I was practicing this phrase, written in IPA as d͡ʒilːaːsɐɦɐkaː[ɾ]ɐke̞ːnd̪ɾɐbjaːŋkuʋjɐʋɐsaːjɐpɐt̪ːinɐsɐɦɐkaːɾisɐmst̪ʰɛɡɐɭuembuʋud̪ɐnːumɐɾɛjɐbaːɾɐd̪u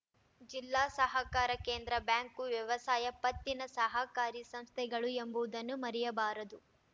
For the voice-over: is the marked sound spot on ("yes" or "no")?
yes